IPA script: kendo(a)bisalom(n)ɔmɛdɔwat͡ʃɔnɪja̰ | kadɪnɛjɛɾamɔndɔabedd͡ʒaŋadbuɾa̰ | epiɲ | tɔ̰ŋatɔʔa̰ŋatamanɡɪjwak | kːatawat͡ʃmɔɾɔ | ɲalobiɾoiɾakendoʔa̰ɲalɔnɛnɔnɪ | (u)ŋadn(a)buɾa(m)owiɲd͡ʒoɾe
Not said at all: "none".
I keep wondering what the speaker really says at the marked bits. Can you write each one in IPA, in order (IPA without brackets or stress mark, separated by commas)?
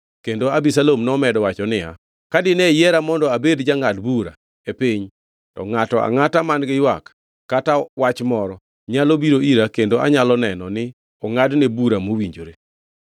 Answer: a, n, ɔ, e, m